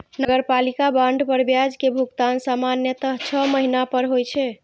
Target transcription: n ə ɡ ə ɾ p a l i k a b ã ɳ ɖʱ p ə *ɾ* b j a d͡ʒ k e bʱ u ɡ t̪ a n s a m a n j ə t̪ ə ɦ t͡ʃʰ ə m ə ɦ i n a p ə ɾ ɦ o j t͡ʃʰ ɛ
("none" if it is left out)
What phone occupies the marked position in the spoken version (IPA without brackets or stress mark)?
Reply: ɾ